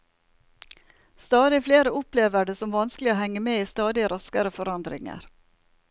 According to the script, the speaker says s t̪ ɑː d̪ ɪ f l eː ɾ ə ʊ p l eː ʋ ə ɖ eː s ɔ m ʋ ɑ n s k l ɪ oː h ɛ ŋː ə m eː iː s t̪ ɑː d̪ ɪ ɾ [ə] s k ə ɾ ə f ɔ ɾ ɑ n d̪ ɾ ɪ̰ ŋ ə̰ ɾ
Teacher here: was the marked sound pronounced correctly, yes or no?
no